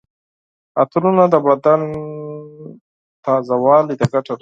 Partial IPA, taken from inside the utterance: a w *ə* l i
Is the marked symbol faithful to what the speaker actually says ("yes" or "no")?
no